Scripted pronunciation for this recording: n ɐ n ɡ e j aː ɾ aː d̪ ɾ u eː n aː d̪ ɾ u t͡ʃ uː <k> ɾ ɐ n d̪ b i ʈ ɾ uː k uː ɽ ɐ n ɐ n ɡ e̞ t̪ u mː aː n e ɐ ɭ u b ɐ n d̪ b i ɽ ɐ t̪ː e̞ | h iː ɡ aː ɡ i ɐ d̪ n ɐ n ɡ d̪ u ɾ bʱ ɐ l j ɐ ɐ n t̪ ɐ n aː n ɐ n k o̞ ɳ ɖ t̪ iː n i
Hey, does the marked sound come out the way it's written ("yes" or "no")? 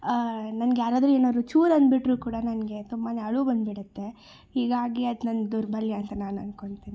no